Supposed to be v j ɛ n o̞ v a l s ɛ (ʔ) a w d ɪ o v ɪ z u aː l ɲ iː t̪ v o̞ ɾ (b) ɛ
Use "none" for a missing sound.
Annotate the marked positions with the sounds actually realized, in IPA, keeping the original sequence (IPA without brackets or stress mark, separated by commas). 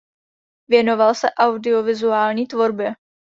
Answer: ʔ, b